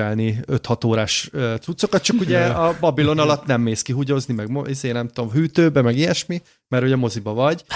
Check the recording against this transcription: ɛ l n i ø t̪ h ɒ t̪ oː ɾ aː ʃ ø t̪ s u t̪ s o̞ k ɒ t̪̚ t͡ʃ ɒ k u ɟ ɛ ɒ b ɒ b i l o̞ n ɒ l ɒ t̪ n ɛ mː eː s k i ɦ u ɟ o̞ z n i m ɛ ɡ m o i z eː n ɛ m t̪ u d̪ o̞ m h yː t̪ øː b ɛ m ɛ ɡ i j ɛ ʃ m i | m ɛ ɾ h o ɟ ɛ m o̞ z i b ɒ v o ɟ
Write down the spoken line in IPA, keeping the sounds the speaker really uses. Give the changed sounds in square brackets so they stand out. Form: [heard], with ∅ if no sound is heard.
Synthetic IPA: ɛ l n i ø t̪ h ɒ t̪ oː ɾ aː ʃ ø t̪ s u t̪ s o̞ k ɒ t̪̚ t͡ʃ ɒ k u ɟ ɛ ɒ b ɒ b i l o̞ n ɒ l ɒ t̪ n ɛ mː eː s k i ɦ u ɟ o̞ z n i m ɛ ɡ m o i z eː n ɛ m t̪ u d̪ o̞ m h yː t̪ øː b ɛ m ɛ ɡ i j ɛ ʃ m i | m ɛ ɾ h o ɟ ɛ m o̞ z i b ɒ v [ɒ] ɟ